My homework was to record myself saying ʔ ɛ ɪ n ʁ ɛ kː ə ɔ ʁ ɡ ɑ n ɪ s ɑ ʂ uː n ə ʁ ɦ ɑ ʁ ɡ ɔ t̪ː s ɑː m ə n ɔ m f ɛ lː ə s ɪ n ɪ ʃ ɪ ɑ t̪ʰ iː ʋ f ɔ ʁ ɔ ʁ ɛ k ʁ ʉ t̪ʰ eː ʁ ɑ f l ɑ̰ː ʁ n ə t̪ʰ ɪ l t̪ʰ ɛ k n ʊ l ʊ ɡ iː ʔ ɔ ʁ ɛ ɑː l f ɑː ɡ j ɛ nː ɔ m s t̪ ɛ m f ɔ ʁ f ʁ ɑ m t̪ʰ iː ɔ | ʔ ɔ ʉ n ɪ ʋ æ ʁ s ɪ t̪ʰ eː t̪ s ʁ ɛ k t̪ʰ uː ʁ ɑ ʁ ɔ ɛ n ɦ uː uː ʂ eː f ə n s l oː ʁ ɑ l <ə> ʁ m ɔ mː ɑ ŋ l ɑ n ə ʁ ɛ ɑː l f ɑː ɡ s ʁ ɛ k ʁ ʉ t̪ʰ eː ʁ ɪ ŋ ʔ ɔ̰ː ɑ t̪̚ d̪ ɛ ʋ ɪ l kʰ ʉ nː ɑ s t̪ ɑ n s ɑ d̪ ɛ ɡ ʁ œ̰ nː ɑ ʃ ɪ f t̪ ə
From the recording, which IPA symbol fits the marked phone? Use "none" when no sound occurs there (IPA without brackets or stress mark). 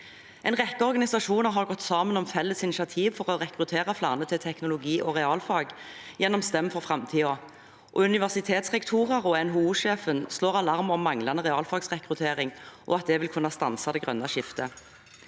ɑ